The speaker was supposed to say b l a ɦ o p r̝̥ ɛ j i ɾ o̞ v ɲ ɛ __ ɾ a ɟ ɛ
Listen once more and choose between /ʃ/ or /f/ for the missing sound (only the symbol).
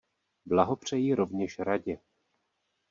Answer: ʃ